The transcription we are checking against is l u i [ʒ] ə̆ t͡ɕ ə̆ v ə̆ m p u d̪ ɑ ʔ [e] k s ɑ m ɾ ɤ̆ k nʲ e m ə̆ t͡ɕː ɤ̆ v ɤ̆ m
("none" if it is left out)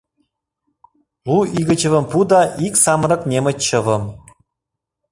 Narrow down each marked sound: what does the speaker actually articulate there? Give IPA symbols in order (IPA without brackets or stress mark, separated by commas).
ɣ, i